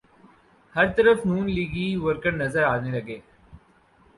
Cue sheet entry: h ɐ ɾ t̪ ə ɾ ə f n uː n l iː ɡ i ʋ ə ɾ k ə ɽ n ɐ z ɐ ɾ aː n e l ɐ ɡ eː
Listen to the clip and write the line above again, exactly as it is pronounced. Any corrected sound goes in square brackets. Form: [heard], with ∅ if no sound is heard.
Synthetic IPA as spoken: h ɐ ɾ t̪ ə ɾ ə f n uː n l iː ɡ i ʋ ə ɾ k ə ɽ n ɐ z [ə] ɾ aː n e l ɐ ɡ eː